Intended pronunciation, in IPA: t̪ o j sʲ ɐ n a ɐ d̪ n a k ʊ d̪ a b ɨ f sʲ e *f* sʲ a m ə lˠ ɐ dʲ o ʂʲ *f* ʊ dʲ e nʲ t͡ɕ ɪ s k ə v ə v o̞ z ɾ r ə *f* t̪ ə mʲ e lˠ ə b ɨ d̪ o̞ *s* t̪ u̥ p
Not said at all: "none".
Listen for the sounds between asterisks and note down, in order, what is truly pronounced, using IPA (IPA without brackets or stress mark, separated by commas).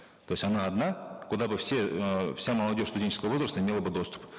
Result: f, s, s, s